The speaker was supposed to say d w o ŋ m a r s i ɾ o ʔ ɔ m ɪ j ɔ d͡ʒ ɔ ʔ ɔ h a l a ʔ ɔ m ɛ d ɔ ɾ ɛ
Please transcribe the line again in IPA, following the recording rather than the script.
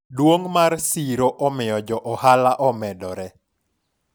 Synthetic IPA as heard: d w o ŋ m a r s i ɾ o ʔ ɔ m ɪ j ɔ d͡ʒ ɔ ʔ ɔ h a l a ʔ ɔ m ɛ d ɔ ɾ ɛ